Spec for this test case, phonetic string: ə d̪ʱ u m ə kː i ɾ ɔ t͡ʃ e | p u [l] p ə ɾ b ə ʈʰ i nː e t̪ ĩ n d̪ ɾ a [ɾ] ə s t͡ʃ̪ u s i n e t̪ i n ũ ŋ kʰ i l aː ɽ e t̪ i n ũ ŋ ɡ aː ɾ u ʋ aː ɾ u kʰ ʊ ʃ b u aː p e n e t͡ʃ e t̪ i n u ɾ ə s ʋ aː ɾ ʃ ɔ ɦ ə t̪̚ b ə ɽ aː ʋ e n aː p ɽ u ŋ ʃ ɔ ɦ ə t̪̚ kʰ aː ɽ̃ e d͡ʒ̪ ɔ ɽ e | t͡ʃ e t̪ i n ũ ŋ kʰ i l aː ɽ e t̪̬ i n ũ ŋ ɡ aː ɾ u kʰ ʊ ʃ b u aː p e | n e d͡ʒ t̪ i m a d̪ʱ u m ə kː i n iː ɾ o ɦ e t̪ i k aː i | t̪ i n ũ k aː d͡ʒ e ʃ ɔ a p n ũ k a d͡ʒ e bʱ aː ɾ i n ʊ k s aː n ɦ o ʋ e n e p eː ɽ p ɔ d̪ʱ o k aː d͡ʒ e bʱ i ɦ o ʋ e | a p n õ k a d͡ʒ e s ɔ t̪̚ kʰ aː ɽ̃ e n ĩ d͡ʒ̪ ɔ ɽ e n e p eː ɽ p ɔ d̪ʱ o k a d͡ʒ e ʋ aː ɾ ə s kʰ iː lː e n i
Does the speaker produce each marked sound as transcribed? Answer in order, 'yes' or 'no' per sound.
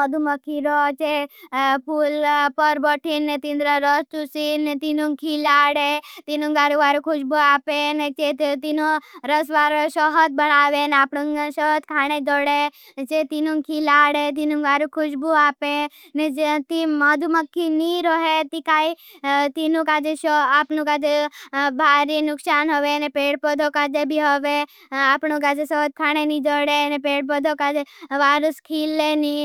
yes, yes

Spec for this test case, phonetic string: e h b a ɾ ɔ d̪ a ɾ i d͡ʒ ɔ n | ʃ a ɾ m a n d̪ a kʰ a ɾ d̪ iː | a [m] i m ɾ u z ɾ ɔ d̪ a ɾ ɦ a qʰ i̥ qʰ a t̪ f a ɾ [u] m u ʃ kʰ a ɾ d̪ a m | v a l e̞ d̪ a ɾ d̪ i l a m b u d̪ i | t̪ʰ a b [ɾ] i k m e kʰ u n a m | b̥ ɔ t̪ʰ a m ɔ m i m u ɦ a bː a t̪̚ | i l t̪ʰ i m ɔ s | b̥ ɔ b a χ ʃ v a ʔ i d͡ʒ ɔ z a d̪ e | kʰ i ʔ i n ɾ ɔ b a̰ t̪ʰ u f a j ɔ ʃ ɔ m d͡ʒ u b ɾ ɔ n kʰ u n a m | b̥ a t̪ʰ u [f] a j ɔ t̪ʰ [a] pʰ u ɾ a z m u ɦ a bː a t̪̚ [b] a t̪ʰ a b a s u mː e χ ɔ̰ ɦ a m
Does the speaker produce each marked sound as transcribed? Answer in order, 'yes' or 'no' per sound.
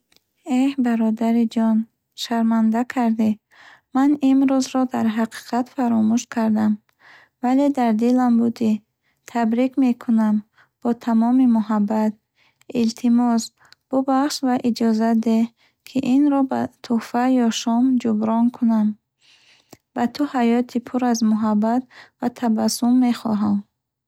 no, no, yes, no, no, no

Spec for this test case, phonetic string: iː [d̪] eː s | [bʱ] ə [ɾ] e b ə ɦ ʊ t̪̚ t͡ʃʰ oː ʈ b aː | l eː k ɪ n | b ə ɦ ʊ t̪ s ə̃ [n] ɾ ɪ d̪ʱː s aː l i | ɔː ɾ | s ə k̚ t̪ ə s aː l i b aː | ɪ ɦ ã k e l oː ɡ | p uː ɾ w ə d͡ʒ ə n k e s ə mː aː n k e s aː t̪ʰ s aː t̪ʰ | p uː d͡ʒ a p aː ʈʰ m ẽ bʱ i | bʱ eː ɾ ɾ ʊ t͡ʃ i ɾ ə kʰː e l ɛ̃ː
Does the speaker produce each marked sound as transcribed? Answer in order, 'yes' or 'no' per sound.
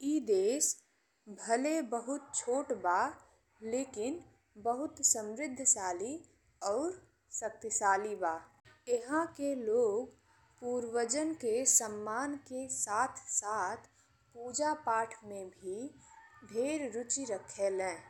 yes, yes, no, no

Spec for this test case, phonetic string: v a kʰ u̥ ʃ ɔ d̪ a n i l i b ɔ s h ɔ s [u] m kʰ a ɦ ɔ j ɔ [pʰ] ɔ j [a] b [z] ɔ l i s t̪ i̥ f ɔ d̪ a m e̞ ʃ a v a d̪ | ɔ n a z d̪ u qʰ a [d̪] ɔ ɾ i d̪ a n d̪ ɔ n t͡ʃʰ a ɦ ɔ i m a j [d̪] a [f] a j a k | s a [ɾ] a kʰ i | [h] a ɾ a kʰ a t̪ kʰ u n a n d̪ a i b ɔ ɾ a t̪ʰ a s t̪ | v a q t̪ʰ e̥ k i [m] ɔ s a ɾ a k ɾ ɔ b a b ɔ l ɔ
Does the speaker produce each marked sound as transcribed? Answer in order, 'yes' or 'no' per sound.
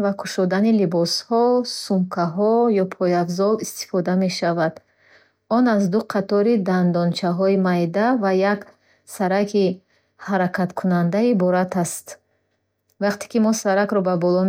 yes, yes, yes, yes, no, yes, no, yes, yes, yes

